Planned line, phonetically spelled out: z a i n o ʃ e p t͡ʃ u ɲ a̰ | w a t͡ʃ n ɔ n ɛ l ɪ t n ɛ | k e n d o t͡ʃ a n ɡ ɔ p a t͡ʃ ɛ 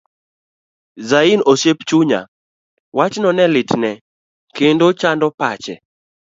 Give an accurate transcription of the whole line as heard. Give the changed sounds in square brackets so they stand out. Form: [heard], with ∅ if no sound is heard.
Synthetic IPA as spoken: z a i n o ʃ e p t͡ʃ u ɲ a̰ | w a t͡ʃ n ɔ n ɛ l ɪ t n ɛ | k e n d o t͡ʃ a n [d] ɔ p a t͡ʃ ɛ

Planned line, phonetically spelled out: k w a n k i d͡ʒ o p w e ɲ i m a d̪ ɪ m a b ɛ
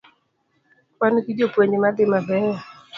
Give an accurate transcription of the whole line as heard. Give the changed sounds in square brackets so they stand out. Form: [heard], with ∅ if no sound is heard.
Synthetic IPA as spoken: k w a n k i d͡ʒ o p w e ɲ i m a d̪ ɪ m a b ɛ

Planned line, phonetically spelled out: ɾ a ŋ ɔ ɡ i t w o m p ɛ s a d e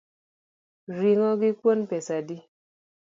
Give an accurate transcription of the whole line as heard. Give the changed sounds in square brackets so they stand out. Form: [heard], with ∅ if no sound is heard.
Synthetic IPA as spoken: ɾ [i] ŋ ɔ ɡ i [k] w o [n] p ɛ s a d [i]

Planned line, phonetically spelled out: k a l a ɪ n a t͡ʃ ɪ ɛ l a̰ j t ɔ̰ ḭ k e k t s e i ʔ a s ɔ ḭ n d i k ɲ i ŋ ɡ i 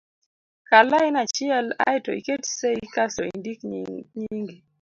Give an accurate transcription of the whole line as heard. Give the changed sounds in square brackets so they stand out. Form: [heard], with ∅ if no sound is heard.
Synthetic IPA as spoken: k a l a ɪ n a t͡ʃ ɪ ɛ l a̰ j t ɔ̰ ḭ k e [∅] t s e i [k] a s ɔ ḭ n d i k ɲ i ŋ ɡ i

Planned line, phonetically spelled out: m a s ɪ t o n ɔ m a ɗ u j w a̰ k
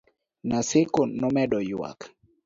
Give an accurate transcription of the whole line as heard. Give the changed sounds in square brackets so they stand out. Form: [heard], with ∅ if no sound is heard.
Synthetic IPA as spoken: [n] a s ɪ [k] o n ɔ m [ɛ] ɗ [ɔ] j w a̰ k

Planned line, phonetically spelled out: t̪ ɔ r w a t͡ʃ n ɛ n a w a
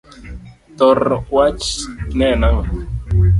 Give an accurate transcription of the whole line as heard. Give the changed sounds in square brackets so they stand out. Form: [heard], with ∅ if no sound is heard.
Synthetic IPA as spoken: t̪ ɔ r w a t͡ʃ n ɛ n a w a

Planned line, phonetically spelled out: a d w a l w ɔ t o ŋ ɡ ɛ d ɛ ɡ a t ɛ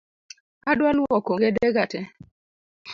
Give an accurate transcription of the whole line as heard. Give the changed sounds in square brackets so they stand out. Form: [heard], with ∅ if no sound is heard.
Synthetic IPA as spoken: a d w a l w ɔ [k] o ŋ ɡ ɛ d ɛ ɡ a t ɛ

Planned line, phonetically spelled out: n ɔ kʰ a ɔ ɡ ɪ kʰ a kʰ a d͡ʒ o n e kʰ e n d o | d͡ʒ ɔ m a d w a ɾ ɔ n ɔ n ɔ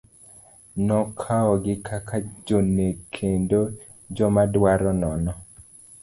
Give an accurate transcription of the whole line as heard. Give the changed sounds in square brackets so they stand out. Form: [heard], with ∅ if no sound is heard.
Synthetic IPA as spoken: n ɔ kʰ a ɔ ɡ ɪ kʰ a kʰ a d͡ʒ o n e kʰ e n d o | d͡ʒ ɔ m a d w a ɾ ɔ n ɔ n ɔ

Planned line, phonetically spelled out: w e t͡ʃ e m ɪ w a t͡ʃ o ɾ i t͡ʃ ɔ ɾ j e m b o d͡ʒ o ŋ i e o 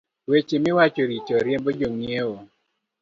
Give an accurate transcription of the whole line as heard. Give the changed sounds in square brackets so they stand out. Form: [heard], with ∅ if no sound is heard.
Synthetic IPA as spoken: w e t͡ʃ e m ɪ w a t͡ʃ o ɾ i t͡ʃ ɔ ɾ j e m b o d͡ʒ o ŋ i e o

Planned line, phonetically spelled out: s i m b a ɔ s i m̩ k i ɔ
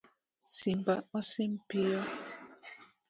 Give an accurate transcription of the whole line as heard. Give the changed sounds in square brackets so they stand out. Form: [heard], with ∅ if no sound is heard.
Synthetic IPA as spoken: s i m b a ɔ s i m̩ [p] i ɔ

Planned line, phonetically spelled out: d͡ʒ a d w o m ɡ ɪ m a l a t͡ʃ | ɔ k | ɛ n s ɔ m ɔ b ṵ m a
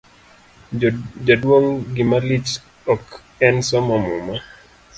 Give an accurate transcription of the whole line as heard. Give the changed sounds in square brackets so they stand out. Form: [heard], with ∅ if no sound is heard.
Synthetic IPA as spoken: d͡ʒ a d w o [ŋ] ɡ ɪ m a l [i] t͡ʃ | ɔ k | ɛ n s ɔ m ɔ [m] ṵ m a

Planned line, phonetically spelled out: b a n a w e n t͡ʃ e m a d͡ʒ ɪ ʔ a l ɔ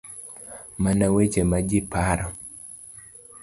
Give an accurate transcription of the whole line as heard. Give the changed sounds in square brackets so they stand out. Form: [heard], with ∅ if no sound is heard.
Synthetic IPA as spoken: [m] a n a w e [∅] t͡ʃ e m a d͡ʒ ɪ [p] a [ɾ] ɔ

